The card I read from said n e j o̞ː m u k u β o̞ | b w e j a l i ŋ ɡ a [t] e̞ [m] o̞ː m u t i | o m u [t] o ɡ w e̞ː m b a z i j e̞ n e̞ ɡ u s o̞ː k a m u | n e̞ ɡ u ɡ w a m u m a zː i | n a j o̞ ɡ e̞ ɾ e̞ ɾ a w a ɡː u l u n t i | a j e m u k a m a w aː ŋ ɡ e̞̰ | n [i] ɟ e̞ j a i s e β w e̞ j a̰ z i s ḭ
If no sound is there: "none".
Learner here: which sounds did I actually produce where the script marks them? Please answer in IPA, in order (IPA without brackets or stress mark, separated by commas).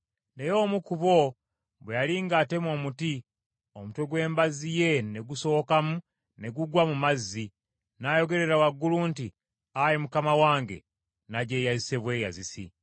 t, m, t, a